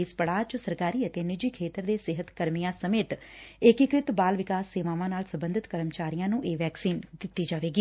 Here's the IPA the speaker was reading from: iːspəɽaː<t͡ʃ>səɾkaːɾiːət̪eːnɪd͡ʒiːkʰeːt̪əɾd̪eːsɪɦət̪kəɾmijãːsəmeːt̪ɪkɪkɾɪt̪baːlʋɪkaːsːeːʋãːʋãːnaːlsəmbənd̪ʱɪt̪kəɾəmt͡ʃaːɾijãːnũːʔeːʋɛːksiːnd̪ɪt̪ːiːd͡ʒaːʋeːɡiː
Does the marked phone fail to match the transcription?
no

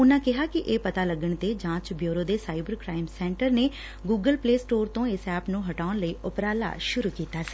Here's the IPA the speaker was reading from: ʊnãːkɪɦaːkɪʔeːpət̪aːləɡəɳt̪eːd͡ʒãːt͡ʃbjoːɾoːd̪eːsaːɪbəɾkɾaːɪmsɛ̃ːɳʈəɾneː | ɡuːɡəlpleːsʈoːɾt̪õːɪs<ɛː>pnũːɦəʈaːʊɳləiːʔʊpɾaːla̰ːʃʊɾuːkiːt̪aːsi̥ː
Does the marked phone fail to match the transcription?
no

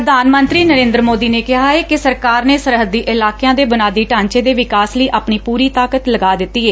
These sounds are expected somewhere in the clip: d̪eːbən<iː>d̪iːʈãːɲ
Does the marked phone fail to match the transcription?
yes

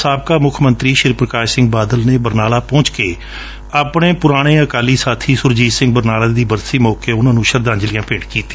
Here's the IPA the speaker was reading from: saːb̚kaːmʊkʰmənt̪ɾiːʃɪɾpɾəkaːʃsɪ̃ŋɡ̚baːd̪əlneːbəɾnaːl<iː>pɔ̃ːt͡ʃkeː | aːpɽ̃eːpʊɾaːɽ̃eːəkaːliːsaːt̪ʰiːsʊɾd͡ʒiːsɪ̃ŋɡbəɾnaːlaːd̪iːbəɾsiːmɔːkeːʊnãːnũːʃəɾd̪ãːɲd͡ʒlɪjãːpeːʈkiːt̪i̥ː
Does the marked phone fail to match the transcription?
yes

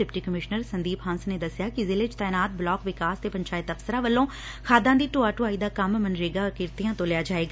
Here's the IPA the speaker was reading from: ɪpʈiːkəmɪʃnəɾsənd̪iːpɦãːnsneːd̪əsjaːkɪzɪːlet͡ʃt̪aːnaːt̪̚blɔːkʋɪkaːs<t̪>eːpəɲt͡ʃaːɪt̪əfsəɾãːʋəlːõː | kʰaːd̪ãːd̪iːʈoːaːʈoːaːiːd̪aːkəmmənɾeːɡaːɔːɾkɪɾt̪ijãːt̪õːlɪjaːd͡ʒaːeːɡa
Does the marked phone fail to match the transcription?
no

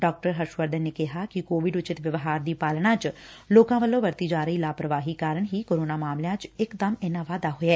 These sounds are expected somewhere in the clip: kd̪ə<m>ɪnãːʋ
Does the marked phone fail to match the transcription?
no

